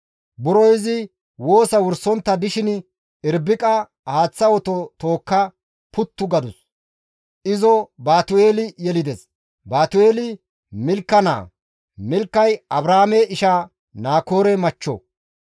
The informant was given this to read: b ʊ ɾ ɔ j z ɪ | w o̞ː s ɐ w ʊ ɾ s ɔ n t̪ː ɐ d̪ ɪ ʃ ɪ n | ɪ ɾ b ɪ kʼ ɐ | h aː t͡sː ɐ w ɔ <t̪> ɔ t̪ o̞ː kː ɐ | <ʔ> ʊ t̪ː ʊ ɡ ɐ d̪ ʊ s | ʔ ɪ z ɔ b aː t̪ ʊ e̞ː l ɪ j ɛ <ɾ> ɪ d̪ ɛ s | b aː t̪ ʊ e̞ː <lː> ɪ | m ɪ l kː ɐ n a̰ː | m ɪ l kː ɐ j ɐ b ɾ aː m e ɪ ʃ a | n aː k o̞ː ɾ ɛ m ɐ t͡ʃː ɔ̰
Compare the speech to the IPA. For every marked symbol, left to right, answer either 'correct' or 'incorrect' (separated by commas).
correct, incorrect, incorrect, incorrect